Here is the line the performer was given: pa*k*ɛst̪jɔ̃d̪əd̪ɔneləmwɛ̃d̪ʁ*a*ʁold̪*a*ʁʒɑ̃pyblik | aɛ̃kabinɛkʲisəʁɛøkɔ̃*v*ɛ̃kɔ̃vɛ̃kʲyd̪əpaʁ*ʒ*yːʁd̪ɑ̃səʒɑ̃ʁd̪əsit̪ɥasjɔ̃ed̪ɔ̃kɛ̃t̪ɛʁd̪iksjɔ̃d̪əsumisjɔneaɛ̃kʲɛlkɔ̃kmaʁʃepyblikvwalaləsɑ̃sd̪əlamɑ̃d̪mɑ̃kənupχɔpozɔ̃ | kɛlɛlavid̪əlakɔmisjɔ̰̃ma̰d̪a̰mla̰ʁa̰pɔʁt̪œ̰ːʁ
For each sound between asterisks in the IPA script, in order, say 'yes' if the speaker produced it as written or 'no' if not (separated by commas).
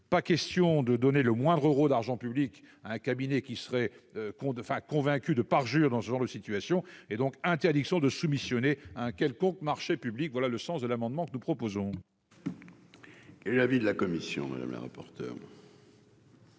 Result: yes, no, yes, no, yes